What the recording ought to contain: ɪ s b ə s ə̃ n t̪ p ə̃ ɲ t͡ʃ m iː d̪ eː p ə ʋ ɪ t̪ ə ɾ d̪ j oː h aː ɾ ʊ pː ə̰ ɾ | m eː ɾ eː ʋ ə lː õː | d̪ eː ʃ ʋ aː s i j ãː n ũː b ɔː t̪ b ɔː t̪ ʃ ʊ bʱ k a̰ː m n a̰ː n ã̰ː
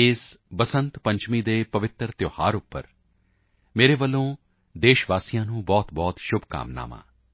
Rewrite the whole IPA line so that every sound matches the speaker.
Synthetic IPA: ɪ s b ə s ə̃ n t̪ p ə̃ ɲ t͡ʃ m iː d̪ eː p ə ʋ ɪ t̪ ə ɾ t̪ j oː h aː ɾ ʊ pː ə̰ ɾ | m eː ɾ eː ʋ ə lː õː | d̪ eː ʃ ʋ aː s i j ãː n ũː b ɔː t̪ b ɔː t̪ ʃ ʊ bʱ k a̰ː m n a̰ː m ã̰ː